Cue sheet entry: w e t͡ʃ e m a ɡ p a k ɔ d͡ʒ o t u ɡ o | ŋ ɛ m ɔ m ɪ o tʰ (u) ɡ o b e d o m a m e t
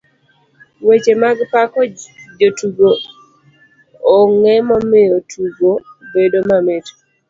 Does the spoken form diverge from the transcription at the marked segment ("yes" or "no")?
no